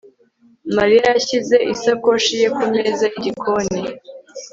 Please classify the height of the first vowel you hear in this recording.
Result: low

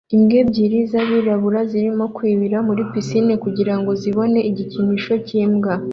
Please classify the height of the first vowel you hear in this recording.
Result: high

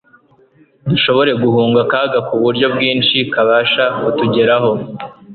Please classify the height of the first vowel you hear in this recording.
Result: high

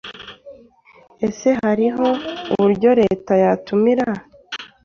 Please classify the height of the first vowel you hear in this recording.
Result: mid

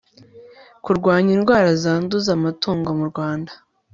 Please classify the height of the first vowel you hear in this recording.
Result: high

